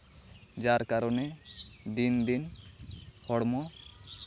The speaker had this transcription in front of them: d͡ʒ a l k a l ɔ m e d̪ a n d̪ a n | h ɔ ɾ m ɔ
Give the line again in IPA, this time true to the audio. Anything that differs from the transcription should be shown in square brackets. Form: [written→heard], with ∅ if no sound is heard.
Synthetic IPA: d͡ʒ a [l→ɾ] k a [l→ɾ] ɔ [m→n] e d̪ [a→i] n d̪ [a→i] n | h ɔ [ɾ→ɽ] m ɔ